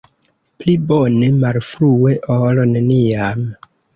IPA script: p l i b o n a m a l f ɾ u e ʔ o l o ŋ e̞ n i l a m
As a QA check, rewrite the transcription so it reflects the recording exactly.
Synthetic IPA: p l i b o n e m a l f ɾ u e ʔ o l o n e̞ n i a m